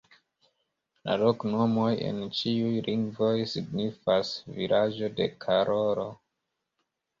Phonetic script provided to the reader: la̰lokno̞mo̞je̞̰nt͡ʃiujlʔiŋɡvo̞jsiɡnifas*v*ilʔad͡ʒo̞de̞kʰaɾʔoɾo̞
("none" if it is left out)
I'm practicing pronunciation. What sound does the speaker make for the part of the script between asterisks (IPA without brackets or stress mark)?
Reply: v